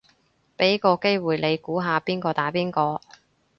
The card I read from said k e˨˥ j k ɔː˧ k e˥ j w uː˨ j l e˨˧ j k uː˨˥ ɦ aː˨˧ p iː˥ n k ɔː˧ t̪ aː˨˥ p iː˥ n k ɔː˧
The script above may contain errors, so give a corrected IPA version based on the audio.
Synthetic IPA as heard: p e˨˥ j k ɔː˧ k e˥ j w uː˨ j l e˨˧ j k uː˨˥ ɦ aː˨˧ p iː˥ n k ɔː˧ t̪ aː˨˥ p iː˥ n k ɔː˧

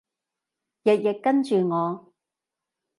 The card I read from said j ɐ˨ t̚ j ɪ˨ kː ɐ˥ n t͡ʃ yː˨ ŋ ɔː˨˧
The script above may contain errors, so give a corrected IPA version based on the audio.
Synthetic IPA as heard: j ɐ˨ t̚ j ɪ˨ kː ɐ˥ n t͡ʃ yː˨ ŋ ɔː˨˧

